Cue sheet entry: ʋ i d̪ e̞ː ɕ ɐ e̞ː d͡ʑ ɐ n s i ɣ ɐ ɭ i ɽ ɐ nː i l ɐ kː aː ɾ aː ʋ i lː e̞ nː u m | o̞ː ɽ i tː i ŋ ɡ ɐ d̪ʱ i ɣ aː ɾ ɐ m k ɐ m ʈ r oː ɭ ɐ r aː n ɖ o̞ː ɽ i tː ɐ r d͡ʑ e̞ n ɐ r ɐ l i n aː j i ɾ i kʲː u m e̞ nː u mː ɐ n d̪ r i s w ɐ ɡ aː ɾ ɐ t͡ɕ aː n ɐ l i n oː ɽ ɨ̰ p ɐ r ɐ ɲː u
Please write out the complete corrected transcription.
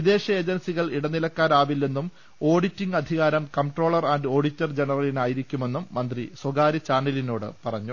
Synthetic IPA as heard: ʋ i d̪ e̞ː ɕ ɐ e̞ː d͡ʑ ɐ n s i ɣ ɐ ɭ i ɽ ɐ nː i l ɐ kː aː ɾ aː ʋ i lː e̞ nː u m | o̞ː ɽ i tː i ŋ ɡ ɐ d̪ʱ i ɣ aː ɾ ɐ m k ɐ m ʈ r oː ɭ ɐ r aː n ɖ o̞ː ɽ i tː ɐ r d͡ʑ e̞ n ɐ r ɐ l i n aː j i ɾ i kʲː u m e̞ nː u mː ɐ n d̪ r i s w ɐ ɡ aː ɾ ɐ t͡ɕ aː n ɐ l i n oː ɽ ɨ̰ p ɐ r ɐ ɲː u

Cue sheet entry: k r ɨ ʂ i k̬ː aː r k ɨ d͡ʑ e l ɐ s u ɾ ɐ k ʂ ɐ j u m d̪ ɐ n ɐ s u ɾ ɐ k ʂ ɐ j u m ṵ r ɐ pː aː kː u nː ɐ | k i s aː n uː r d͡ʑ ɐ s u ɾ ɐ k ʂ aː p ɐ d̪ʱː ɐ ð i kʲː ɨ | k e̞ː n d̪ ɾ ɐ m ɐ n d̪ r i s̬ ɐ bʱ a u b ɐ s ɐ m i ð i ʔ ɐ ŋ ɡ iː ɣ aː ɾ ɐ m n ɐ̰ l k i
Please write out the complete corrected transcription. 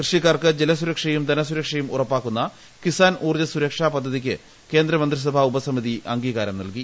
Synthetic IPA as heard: k r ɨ ʂ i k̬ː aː r k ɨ d͡ʑ e l ɐ s u ɾ ɐ k ʂ ɐ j u m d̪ ɐ n ɐ s u ɾ ɐ k ʂ ɐ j u m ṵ r ɐ pː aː kː u nː ɐ | k i s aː n uː r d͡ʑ ɐ s u ɾ ɐ k ʂ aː p ɐ d̪ʱː ɐ ð i kʲː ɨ | k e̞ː n d̪ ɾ ɐ m ɐ n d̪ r i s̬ ɐ bʱ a u b ɐ s ɐ m i ð i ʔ ɐ ŋ ɡ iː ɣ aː ɾ ɐ m n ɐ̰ l k i

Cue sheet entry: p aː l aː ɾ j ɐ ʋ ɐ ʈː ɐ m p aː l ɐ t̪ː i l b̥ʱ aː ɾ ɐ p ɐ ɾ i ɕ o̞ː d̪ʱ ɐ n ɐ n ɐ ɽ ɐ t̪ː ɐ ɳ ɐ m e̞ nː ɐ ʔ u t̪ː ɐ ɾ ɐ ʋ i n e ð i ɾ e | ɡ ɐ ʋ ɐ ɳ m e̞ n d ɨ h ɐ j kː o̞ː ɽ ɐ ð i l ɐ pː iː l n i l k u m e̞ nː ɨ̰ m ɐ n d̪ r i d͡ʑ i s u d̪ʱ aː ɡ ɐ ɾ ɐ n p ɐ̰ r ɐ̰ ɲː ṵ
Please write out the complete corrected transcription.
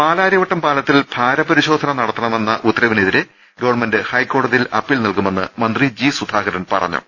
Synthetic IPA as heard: p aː l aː ɾ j ɐ ʋ ɐ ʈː ɐ m p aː l ɐ t̪ː i l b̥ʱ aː ɾ ɐ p ɐ ɾ i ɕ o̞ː d̪ʱ ɐ n ɐ n ɐ ɽ ɐ t̪ː ɐ ɳ ɐ m e̞ nː ɐ ʔ u t̪ː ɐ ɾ ɐ ʋ i n e ð i ɾ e | ɡ ɐ ʋ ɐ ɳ m e̞ n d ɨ h ɐ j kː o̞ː ɽ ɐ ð i l ɐ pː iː l n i l k u m e̞ nː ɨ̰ m ɐ n d̪ r i d͡ʑ i s u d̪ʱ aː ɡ ɐ ɾ ɐ n p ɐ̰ r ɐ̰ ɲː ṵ

